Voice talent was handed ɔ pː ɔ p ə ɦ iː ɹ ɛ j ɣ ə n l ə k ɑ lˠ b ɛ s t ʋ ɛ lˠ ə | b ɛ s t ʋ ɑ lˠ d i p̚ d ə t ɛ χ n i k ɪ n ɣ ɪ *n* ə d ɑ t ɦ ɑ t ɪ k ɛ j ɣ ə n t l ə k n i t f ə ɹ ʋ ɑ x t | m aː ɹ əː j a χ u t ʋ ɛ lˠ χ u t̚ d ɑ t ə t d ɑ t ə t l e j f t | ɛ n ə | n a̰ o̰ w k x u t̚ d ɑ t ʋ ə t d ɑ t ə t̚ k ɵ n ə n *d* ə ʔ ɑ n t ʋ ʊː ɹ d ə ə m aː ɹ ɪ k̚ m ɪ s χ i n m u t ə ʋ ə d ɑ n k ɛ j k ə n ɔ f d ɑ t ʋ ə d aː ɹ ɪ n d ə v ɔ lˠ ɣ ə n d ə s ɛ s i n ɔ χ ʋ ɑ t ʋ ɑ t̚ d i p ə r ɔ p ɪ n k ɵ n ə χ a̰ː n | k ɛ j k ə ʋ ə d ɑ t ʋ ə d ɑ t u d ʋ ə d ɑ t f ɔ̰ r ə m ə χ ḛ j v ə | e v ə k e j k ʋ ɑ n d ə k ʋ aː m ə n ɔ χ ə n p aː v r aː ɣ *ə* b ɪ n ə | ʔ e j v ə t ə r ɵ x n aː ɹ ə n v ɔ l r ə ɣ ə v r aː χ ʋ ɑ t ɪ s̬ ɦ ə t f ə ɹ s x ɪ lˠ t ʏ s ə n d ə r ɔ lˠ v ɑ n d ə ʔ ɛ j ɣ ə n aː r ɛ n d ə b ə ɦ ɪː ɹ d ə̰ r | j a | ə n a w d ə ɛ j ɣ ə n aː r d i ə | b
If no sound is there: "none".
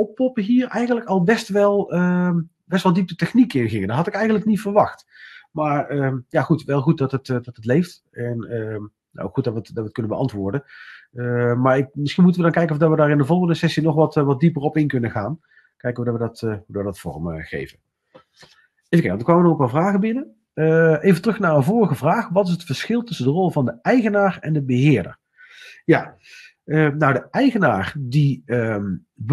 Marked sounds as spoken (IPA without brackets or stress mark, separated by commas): ŋ, b, ə